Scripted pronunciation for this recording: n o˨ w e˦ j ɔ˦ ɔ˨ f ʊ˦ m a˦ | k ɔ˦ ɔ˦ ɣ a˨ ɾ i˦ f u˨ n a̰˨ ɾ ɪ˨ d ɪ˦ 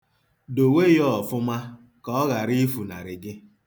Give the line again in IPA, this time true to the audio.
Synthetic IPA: d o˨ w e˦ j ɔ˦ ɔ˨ f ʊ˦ m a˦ | k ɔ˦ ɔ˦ ɣ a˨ ɾ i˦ f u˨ n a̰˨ ɾ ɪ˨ ɡ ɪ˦